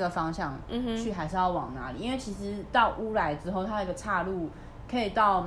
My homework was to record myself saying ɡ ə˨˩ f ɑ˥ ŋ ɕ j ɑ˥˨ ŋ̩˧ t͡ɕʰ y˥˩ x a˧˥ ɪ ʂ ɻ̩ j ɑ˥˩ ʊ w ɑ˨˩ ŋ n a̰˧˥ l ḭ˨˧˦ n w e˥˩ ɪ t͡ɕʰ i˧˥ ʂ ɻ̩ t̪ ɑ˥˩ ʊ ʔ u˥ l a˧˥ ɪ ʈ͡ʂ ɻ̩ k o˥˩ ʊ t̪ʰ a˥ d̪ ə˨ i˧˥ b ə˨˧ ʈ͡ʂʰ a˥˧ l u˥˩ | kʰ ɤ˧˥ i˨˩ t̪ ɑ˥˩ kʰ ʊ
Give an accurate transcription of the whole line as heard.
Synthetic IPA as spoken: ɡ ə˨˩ f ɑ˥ ŋ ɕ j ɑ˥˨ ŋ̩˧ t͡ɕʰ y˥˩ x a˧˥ ɪ ʂ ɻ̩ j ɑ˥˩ ʊ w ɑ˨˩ ŋ n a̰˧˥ l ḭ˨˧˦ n w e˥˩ ɪ t͡ɕʰ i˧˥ ʂ ɻ̩ t̪ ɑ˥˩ ʊ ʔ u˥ l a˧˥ ɪ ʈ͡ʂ ɻ̩ x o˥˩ ʊ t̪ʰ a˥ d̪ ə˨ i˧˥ ɡ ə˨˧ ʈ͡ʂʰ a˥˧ l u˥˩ | kʰ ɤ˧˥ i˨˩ t̪ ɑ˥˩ ʊ